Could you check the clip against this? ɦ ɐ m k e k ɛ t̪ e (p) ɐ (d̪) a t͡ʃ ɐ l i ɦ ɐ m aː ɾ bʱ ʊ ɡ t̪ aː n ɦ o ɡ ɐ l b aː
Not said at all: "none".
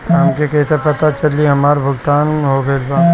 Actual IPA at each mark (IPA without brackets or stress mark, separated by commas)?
p, t̪